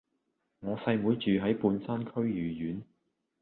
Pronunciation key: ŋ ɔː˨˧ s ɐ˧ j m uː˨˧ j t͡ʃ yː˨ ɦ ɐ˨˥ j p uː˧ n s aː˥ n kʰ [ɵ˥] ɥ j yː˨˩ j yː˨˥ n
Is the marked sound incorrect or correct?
correct